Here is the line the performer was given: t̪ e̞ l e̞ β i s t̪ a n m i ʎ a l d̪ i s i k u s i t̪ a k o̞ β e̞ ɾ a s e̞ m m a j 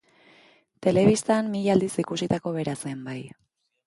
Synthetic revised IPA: t̪ e̞ l e̞ β i s t̪ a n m i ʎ a l d̪ i s i k u s i t̪ a k o̞ β e̞ ɾ a s e̞ m b a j